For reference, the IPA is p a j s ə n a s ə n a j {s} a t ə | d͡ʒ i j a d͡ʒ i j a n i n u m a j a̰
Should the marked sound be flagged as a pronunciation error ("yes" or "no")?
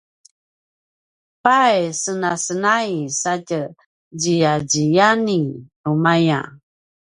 no